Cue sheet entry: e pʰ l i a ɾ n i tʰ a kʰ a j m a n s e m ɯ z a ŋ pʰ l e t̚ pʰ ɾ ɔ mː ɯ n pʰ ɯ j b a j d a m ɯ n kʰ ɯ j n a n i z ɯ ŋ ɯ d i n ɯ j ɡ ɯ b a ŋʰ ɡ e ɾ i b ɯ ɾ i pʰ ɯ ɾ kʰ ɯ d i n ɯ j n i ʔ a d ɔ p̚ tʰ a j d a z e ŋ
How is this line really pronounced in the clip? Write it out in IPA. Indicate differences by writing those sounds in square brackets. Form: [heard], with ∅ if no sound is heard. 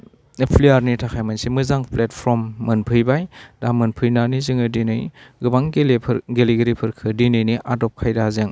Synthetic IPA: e pʰ l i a ɾ n i tʰ a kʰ a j m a n s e m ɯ z a ŋ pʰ l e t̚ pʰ ɾ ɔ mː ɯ n pʰ ɯ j b a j d a m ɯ n [pʰ] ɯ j n a n i z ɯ ŋ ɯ d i n ɯ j ɡ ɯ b a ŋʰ ɡ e [l] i [ɡ] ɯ ɾ i pʰ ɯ ɾ kʰ ɯ d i n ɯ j n i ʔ a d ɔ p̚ [kʰ] a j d a z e ŋ